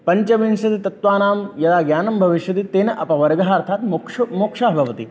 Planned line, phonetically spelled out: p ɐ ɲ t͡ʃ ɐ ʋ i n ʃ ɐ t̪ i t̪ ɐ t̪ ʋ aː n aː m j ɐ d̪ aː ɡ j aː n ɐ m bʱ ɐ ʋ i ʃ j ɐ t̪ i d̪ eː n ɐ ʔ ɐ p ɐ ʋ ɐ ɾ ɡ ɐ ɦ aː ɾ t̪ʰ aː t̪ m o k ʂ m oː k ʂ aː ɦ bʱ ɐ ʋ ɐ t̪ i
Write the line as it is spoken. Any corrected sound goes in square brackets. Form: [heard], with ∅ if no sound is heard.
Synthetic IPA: p ɐ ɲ t͡ʃ ɐ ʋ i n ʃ ɐ t̪ i t̪ ɐ t̪ ʋ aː n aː m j ɐ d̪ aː ɡ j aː n ɐ m bʱ ɐ ʋ i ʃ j ɐ t̪ i [t̪] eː n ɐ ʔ ɐ p ɐ ʋ ɐ ɾ ɡ ɐ ɦ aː ɾ t̪ʰ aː t̪ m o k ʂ m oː k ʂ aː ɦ bʱ ɐ ʋ ɐ t̪ i